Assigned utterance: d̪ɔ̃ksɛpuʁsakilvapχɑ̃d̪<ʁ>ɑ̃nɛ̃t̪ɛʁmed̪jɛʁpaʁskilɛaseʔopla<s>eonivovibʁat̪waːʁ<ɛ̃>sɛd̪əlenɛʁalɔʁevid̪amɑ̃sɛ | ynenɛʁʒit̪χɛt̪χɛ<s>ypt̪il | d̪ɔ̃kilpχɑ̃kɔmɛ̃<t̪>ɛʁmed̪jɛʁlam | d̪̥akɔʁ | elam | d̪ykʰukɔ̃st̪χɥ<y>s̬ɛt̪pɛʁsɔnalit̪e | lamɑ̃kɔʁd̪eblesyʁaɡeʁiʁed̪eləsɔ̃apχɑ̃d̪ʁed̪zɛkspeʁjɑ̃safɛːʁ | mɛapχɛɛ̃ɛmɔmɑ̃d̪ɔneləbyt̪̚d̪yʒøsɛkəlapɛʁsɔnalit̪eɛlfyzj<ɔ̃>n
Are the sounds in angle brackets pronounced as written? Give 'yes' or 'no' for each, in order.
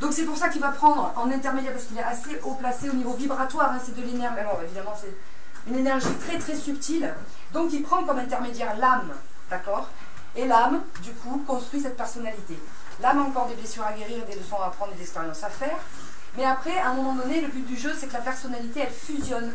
yes, yes, yes, yes, yes, no, no

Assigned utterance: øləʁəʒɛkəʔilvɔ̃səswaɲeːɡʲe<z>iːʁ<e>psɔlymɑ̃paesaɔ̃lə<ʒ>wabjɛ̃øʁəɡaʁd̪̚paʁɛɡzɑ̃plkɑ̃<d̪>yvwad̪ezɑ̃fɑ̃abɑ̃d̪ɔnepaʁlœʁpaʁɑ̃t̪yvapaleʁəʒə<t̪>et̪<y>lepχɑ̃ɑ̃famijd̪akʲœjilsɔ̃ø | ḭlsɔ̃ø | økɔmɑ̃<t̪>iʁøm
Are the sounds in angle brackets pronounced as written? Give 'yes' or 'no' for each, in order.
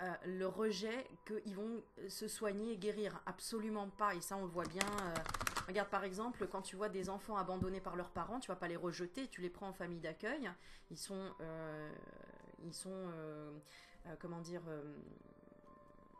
no, no, no, no, yes, yes, no

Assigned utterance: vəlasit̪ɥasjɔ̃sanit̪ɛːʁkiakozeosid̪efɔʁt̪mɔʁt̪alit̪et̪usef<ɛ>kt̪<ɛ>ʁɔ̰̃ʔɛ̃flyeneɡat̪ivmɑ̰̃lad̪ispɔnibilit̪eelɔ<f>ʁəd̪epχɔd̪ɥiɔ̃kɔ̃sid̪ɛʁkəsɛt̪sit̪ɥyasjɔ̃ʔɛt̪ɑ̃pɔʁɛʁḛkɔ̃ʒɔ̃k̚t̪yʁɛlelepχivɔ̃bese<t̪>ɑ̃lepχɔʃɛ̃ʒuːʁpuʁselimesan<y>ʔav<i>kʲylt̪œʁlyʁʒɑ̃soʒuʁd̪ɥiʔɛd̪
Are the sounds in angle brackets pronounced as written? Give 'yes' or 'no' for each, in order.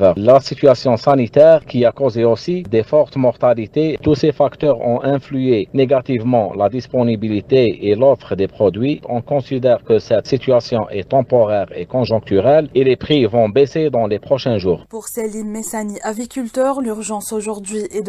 no, no, yes, no, no, yes

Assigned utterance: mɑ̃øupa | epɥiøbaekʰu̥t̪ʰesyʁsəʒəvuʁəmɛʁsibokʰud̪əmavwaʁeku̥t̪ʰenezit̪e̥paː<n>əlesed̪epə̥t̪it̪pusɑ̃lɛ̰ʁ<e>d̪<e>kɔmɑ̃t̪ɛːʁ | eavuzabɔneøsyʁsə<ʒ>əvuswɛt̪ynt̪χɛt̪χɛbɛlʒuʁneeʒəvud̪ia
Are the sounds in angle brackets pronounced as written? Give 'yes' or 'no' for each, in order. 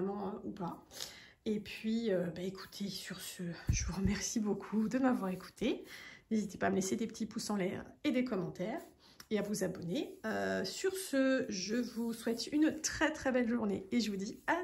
no, yes, yes, yes

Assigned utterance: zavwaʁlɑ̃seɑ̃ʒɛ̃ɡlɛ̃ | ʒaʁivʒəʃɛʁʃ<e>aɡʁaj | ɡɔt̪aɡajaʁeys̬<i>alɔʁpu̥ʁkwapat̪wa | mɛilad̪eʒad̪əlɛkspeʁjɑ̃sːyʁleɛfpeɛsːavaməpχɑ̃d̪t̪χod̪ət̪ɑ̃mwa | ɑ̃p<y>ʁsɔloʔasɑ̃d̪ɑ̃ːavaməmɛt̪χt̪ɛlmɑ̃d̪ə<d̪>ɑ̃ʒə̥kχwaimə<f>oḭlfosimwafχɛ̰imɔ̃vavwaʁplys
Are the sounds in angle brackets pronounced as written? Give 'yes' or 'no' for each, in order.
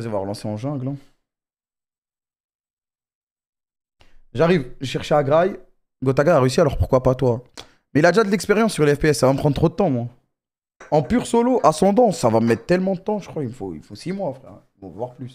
yes, yes, yes, no, yes

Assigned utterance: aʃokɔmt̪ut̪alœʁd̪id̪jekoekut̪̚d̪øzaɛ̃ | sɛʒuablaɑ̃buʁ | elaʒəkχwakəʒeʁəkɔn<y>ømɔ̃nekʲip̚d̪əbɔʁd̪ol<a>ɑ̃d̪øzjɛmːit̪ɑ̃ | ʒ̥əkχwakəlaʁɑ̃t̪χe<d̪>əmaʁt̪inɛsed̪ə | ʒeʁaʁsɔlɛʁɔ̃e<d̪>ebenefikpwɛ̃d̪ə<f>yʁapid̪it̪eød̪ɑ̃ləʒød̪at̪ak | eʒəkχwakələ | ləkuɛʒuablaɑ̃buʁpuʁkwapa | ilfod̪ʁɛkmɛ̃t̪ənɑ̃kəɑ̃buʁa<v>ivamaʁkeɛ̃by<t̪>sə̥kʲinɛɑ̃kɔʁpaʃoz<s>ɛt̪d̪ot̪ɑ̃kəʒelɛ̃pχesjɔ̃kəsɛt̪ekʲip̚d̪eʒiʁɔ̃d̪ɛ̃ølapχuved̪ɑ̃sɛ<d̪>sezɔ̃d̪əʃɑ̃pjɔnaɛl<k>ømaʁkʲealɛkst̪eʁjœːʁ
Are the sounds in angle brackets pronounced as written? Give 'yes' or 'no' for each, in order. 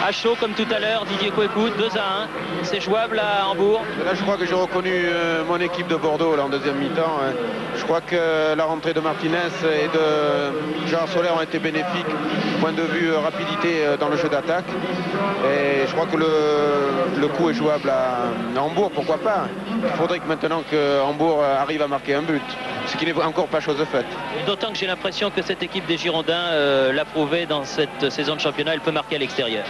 yes, yes, yes, no, no, no, yes, no, no, no

